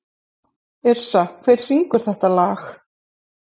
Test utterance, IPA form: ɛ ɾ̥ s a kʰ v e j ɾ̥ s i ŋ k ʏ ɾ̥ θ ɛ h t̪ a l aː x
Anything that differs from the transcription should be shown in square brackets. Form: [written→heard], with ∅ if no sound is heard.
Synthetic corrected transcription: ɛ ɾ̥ s a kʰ v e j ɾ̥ s i ŋ k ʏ ɾ̥ θ ɛ h t̪ a l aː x